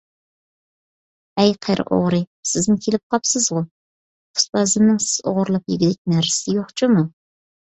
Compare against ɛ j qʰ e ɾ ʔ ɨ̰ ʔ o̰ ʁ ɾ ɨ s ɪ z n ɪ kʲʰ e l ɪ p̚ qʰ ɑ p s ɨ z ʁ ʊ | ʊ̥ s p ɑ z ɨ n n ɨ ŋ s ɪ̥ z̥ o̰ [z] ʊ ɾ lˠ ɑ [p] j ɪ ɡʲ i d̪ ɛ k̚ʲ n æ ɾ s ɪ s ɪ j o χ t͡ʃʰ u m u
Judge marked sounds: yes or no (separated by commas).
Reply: no, yes